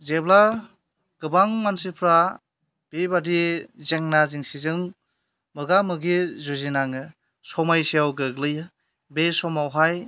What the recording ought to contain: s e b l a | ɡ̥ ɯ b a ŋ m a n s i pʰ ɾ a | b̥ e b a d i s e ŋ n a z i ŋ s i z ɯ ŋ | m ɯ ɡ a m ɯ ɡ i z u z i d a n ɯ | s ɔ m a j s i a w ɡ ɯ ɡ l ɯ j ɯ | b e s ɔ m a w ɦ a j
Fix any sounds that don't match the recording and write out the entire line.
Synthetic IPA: z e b l a | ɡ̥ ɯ b a ŋ m a n s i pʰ ɾ a | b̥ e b a d i z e ŋ n a z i ŋ s i z ɯ ŋ | m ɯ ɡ a m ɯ ɡ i z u z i n a ŋ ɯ | s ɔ m a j s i a w ɡ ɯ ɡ l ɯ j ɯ | b e s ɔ m a w ɦ a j